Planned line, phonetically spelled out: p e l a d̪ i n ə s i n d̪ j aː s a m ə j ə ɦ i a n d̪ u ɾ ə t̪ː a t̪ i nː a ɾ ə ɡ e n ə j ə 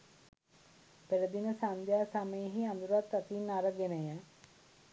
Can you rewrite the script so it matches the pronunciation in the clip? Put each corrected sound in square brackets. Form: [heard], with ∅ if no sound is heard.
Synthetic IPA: p e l [ə] d̪ i n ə s [a] n d̪ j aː s a m ə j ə ɦ i a n d̪ u ɾ [a] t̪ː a t̪ i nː a ɾ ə ɡ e n ə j ə